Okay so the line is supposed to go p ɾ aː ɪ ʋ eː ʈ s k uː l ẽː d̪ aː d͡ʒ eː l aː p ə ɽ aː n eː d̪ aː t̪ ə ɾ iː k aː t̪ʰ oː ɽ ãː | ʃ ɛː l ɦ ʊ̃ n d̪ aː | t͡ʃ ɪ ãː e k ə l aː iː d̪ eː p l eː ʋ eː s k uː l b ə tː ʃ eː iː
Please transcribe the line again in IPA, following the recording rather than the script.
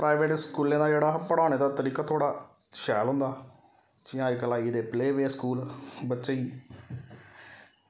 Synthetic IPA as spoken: p ɾ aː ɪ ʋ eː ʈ s k uː l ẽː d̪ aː d͡ʒ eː ɽ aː p ə ɽ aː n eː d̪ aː t̪ ə ɾ iː k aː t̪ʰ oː ɽ aː | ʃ ɛː l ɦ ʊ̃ n d̪ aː | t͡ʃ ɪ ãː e k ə l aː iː d̪ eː p l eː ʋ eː s k uː l b ə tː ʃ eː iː